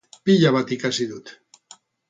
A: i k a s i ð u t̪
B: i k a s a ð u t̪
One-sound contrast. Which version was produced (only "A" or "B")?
A